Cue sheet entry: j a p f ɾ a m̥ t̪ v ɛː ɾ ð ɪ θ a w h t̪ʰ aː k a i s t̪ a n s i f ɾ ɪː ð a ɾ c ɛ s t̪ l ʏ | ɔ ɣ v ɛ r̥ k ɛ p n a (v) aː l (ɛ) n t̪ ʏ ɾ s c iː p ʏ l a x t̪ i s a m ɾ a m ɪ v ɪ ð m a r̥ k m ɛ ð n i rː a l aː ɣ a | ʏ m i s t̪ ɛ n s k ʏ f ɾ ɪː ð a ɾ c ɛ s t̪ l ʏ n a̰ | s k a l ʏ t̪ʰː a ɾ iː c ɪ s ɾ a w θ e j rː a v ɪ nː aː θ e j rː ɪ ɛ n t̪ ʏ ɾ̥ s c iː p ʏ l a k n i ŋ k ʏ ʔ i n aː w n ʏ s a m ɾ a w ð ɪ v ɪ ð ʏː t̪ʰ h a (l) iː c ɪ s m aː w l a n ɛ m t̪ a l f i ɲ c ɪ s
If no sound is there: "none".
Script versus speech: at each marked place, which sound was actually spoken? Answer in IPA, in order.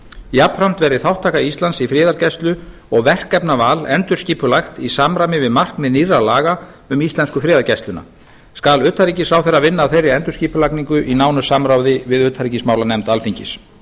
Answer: v, ɛ, ɾ

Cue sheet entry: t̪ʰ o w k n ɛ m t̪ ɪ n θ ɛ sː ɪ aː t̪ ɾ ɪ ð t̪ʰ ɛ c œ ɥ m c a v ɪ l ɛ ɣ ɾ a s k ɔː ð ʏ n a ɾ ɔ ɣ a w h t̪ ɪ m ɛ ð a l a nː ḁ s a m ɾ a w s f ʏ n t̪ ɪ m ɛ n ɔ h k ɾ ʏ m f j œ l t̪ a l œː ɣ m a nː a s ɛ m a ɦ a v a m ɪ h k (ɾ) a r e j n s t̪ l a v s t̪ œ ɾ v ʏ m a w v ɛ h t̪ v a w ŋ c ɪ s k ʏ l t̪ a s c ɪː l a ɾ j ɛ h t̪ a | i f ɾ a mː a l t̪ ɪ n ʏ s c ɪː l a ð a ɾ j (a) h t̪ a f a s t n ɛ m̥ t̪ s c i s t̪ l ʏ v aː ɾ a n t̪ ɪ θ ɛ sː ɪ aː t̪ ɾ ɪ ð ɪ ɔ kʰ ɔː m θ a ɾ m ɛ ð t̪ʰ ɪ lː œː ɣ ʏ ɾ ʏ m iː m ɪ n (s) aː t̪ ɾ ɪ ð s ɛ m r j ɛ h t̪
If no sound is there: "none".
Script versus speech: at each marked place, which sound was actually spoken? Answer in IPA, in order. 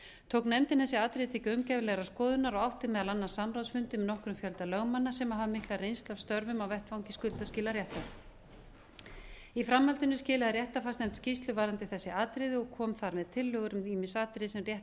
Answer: l, ɛ, s

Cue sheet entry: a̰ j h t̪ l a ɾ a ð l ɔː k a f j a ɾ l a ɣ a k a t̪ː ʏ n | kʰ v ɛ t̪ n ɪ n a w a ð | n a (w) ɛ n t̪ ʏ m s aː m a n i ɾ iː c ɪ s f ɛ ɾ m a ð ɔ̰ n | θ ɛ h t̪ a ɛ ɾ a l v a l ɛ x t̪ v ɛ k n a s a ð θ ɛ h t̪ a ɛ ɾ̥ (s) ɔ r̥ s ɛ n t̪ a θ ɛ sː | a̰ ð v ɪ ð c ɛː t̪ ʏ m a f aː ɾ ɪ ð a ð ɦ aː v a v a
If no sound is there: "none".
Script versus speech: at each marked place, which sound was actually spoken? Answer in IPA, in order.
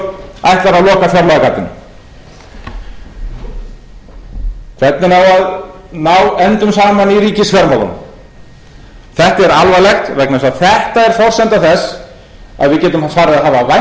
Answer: w, f

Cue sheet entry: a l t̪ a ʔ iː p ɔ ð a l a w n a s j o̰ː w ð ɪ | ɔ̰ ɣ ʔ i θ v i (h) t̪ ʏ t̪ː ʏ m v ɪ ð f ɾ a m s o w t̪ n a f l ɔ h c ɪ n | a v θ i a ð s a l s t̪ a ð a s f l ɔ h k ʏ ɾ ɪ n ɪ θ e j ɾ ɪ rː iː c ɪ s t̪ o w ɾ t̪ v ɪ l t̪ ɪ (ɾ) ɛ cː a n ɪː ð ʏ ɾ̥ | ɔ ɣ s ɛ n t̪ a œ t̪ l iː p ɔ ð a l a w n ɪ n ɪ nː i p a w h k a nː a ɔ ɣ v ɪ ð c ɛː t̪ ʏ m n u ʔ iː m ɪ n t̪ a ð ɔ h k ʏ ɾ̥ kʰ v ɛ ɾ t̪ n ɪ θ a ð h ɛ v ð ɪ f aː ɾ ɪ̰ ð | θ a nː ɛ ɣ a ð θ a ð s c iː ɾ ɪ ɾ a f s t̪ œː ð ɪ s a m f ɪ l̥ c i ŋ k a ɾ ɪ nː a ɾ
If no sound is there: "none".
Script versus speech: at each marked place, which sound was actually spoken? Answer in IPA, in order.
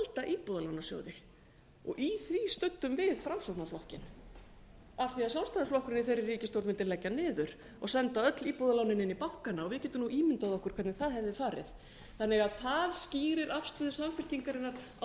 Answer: s, l

